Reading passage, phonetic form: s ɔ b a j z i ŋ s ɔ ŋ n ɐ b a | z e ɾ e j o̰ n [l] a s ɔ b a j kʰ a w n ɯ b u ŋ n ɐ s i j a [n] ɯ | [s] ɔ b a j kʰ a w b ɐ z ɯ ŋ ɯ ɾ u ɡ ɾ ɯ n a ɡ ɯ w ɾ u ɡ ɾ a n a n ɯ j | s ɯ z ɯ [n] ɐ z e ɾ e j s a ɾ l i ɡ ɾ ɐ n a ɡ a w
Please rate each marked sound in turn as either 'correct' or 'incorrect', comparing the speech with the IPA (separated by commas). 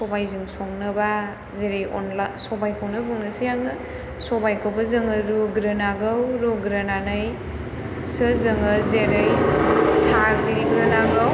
correct, incorrect, correct, incorrect